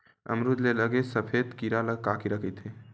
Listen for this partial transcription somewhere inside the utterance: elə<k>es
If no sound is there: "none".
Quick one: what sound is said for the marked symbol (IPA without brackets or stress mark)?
ɡ